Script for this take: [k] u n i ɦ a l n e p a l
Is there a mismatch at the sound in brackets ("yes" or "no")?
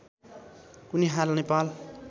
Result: no